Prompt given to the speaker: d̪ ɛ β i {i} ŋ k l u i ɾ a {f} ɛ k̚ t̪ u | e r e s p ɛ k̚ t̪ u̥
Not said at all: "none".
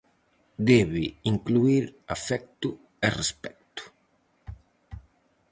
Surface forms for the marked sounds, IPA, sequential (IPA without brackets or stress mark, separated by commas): i, f